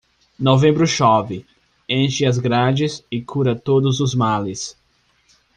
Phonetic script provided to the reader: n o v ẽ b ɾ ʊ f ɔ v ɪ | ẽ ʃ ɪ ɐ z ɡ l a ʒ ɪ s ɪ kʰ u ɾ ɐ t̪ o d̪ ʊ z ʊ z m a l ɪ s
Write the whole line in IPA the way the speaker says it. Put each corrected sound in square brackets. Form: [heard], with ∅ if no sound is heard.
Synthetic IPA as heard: n o v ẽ b ɾ ʊ [ʃ] ɔ v ɪ | ẽ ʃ ɪ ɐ z ɡ [ɾ] a [d͡ʒ] ɪ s ɪ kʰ u ɾ ɐ t̪ o d̪ ʊ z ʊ z m a l ɪ s

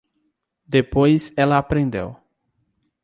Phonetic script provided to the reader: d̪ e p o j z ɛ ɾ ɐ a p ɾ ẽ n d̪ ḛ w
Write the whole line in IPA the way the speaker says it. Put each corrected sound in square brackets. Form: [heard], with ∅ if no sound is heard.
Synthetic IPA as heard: d̪ e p o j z ɛ [l] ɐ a p ɾ ẽ n d̪ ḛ w

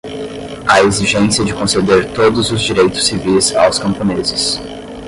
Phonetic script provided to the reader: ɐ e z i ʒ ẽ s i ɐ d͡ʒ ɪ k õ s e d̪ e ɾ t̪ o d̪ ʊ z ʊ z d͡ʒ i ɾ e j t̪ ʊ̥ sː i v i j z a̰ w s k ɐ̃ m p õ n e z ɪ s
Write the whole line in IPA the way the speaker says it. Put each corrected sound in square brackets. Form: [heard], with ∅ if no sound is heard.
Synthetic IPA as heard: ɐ e z i ʒ ẽ s i ɐ d͡ʒ ɪ k õ s e d̪ e ɾ t̪ o d̪ ʊ z ʊ z d͡ʒ i ɾ e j t̪ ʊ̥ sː i v i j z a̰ w s k ɐ̃ m p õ n e z ɪ s

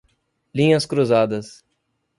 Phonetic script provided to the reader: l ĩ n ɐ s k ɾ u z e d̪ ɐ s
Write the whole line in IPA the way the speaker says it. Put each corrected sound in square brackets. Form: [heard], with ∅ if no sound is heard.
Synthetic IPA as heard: l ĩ [ɲ] ɐ s k ɾ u z [a] d̪ ɐ s

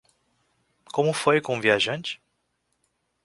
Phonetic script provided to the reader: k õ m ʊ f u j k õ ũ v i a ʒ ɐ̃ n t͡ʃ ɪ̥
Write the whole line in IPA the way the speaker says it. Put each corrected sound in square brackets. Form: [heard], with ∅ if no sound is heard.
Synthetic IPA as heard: k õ m ʊ f [o] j k õ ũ v i a ʒ ɐ̃ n t͡ʃ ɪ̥

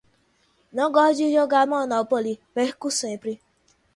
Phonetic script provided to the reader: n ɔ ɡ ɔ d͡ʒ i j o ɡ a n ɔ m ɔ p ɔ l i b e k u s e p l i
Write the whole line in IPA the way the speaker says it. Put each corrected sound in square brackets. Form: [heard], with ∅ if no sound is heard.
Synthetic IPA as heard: n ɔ ɡ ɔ d͡ʒ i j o ɡ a [m] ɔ [n] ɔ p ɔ l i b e k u s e p [ɾ] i

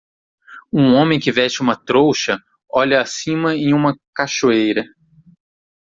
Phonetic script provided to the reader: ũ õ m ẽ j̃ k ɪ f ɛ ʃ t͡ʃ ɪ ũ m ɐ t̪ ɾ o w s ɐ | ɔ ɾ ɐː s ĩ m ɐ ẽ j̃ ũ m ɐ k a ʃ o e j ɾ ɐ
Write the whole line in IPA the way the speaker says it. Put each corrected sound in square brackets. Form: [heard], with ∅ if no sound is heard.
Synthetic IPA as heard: ũ õ m ẽ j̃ k ɪ [v] ɛ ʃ t͡ʃ ɪ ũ m ɐ t̪ ɾ o w [ʃ] ɐ | ɔ [ʎ] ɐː s ĩ m ɐ ẽ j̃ ũ m ɐ k a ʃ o e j ɾ ɐ

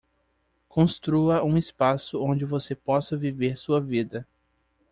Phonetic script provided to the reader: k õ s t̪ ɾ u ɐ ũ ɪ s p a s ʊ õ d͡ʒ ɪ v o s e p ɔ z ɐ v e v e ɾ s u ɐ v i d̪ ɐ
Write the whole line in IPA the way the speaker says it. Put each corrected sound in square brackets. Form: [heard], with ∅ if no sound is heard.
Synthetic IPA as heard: k õ s t̪ ɾ u ɐ ũ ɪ s p a s ʊ õ d͡ʒ ɪ v o s e p ɔ [s] ɐ v [i] v e ɾ s u ɐ v i d̪ ɐ

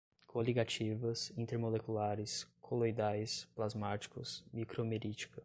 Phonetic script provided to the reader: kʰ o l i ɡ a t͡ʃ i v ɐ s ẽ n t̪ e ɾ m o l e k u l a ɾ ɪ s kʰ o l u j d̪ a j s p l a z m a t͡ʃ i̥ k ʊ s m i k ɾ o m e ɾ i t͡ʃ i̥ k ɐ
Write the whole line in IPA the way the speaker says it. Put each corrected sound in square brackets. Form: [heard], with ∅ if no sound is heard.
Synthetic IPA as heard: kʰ o l i ɡ a t͡ʃ i v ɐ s [ĩ] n t̪ e ɾ m o l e k u l a ɾ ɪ s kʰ o l [o] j d̪ a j s p l a z m a t͡ʃ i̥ k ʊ s m i k ɾ o m e ɾ i t͡ʃ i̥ k ɐ

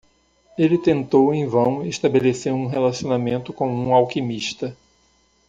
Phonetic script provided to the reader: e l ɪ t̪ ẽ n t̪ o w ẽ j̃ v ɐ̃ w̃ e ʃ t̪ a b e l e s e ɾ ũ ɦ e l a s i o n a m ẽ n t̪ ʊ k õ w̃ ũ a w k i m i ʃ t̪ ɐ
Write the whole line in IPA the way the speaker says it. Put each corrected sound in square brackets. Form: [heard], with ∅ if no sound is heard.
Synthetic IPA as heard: e l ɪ t̪ ẽ n t̪ o w ẽ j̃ v ɐ̃ w̃ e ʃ t̪ a b e l e s e ɾ ũ ɦ e l a s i o n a m ẽ n t̪ ʊ k õ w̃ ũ a w k i m i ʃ t̪ ɐ

